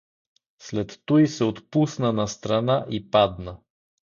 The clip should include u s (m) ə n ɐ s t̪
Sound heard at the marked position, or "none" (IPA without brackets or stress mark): n